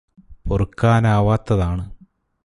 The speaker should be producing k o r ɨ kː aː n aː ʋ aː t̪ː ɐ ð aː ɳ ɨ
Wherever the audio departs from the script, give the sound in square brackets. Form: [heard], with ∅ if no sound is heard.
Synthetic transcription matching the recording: [p] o r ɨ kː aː n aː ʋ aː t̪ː ɐ ð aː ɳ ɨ